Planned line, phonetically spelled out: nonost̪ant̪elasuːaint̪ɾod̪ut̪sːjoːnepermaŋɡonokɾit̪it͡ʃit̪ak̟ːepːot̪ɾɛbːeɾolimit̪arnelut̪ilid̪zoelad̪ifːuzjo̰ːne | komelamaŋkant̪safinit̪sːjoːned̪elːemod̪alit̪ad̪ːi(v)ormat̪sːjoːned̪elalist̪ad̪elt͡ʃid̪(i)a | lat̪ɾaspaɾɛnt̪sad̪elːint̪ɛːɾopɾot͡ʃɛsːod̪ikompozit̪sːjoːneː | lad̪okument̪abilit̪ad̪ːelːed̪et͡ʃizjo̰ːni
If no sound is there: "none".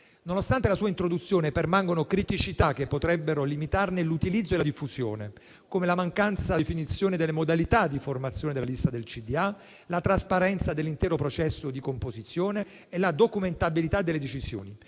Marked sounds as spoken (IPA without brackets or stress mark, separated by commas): f, i